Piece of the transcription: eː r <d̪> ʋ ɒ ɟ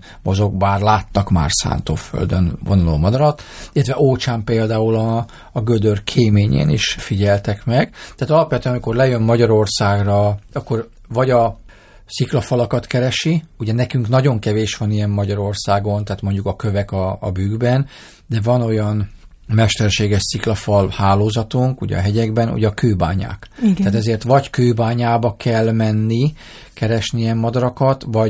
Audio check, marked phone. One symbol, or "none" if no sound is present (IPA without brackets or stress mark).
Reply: t̪